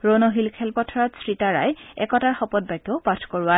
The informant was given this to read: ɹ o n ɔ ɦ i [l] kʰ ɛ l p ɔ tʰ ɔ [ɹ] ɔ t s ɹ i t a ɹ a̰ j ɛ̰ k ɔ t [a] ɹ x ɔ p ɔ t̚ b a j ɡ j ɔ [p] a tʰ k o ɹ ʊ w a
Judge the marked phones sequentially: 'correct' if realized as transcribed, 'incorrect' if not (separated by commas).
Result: correct, correct, correct, correct